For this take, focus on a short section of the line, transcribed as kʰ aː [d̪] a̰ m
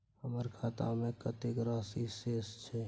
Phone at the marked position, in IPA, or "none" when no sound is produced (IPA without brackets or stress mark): t̪